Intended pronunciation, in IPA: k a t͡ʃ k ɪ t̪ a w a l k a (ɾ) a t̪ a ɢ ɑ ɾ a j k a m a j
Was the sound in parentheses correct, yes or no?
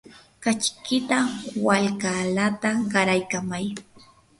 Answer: no